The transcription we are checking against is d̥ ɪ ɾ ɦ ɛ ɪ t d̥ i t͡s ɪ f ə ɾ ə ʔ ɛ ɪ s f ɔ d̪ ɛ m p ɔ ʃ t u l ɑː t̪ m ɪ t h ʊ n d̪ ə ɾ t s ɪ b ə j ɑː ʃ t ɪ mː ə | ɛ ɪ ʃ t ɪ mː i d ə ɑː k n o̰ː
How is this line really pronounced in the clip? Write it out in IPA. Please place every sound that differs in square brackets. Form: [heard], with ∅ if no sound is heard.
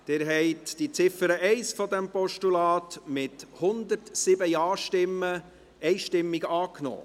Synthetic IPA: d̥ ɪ ɾ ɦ ɛ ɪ t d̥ i t͡s ɪ f ə ɾ ə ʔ ɛ ɪ s f ɔ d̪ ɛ m p ɔ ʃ t u l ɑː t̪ m ɪ t h ʊ n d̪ ə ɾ t s ɪ b ə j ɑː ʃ t ɪ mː ə | ɛ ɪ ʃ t ɪ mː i [ɡ] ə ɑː k n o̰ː